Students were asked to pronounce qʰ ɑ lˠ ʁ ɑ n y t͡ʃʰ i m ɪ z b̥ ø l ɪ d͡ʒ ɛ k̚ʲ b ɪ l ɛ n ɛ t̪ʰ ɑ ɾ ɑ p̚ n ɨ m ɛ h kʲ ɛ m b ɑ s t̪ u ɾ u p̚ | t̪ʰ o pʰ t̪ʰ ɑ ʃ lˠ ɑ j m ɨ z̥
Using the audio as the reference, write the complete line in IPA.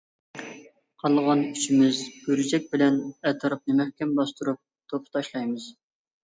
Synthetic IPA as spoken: qʰ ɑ lˠ ʁ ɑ n y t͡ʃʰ i m ɪ z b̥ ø ɾ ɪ d͡ʒ ɛ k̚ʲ b ɪ l ɛ n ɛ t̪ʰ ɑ ɾ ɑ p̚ n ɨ m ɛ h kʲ ɛ m b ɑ s t̪ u ɾ u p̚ | t̪ʰ o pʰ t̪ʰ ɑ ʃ lˠ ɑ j m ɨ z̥